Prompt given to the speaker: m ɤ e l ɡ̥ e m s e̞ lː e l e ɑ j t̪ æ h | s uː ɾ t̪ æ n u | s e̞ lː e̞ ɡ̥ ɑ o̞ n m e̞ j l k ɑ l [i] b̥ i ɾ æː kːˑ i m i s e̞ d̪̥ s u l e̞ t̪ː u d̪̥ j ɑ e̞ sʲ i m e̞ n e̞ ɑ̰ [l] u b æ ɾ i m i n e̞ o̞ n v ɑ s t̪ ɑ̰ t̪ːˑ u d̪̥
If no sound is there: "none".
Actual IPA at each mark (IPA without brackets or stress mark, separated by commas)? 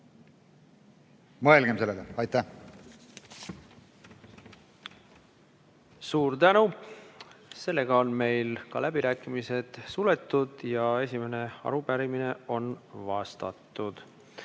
æ, ɾ